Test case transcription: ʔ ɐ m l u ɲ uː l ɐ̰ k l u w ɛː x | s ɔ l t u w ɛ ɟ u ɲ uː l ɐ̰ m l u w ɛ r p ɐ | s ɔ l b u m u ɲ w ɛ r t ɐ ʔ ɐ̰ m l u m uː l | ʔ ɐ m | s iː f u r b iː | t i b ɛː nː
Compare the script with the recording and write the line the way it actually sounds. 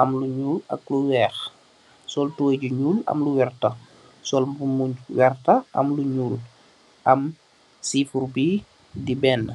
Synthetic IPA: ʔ ɐ m l u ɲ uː l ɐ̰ k l u w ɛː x | s ɔ l t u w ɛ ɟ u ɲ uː l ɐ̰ m l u w ɛ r t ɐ | s ɔ l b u m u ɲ w ɛ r t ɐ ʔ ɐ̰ m l u ɲ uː l | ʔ ɐ m | s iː f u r b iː | d i b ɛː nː